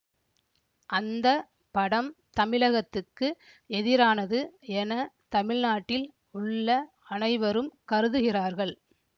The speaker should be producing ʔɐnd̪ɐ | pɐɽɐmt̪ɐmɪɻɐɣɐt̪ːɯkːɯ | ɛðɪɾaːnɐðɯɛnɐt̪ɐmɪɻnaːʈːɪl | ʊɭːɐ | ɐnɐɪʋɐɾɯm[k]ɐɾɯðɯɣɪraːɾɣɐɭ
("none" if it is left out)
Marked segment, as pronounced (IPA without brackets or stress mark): k